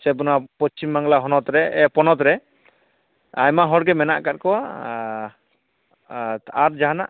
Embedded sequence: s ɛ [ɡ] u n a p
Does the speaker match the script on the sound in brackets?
no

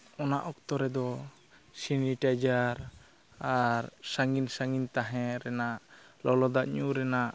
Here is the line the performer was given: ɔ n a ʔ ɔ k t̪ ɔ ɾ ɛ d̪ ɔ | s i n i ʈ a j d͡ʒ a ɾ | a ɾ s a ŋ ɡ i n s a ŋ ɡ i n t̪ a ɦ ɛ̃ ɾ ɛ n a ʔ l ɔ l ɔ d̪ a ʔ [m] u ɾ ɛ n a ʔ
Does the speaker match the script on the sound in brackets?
no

